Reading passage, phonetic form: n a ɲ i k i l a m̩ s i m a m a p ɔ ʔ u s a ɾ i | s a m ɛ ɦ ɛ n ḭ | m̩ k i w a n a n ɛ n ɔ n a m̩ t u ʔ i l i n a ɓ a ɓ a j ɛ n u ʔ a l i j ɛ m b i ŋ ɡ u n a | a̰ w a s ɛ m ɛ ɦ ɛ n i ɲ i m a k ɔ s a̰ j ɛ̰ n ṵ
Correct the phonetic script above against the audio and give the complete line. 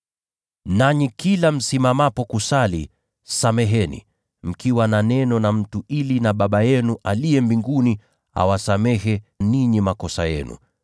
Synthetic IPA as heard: n a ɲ i k i l a m̩ s i m a m a p ɔ k u s a l i | s a m ɛ ɦ ɛ n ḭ | m̩ k i w a n a n ɛ n ɔ n a m̩ t u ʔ i l i n a ɓ a ɓ a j ɛ n u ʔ a l i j ɛ m b i ŋ ɡ u n i | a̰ w a s a m ɛ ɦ ɛ n i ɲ i m a k ɔ s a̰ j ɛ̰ n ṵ